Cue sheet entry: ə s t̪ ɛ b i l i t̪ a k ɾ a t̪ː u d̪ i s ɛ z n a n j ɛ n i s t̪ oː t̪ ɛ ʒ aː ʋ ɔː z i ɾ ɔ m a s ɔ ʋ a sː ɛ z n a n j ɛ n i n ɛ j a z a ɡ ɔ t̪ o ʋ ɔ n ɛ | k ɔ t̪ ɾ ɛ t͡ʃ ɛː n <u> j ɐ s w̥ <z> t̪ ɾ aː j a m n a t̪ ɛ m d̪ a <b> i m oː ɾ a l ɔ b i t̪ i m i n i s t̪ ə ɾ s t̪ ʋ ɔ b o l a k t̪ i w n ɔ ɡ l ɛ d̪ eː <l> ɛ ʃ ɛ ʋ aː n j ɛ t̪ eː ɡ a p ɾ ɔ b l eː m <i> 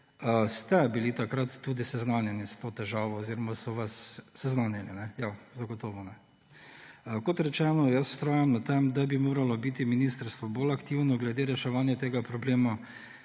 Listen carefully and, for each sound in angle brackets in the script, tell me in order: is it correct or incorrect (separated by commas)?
incorrect, incorrect, correct, incorrect, incorrect